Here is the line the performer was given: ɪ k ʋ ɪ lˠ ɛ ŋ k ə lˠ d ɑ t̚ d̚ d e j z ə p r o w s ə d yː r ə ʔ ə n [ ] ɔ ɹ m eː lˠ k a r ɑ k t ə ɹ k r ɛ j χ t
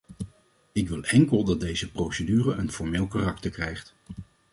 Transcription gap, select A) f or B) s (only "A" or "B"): A